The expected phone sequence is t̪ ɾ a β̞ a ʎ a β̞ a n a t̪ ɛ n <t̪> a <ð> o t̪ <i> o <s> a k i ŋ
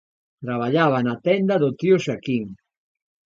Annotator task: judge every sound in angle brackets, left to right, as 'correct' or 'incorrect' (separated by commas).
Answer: incorrect, correct, correct, incorrect